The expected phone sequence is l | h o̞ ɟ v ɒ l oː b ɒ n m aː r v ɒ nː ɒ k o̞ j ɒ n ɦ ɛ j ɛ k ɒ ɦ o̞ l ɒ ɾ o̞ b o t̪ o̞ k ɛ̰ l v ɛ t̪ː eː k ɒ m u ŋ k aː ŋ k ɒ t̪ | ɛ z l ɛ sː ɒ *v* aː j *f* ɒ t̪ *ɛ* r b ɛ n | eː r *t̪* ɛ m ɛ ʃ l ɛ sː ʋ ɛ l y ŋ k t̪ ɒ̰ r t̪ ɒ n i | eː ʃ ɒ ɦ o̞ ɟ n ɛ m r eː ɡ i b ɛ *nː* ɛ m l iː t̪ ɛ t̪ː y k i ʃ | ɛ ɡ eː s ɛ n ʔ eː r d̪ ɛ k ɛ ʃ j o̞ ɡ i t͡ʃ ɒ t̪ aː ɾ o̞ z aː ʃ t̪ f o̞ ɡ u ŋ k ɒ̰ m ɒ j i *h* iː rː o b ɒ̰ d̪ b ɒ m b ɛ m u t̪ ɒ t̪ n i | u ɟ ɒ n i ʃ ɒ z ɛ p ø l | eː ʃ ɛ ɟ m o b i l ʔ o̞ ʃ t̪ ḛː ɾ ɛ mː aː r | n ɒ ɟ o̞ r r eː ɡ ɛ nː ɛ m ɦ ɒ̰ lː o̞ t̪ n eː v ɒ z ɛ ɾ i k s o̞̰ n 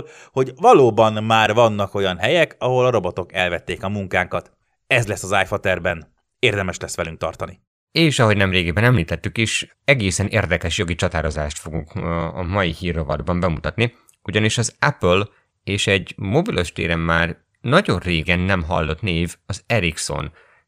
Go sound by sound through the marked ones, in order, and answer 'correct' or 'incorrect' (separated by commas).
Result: incorrect, correct, correct, incorrect, incorrect, correct